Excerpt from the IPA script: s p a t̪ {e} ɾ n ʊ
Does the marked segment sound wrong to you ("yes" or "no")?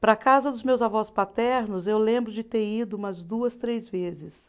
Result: yes